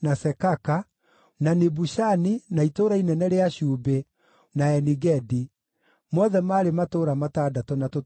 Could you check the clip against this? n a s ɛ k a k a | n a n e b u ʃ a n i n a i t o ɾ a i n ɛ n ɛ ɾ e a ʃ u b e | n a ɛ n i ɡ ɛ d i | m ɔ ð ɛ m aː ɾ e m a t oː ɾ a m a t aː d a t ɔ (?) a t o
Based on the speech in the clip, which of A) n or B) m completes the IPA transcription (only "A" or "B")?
A